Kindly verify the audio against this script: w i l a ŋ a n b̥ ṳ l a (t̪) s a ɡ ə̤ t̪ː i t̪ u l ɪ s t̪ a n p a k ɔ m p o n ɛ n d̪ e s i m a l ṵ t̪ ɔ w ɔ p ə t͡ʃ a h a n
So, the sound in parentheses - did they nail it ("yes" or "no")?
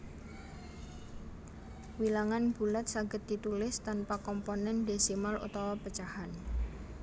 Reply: yes